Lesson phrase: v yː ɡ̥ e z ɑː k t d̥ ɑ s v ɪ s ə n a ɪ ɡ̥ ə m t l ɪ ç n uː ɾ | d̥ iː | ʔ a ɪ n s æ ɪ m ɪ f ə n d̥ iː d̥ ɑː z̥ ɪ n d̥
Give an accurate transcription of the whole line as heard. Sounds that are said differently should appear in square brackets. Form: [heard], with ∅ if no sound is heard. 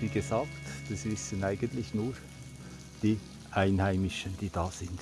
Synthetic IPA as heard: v [iː] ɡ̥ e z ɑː k t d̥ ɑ s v ɪ s ə n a ɪ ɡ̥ ə [n] t l ɪ ç n uː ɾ | d̥ iː | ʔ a ɪ n [h] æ ɪ m ɪ [ʃ] ə n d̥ iː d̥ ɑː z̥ ɪ n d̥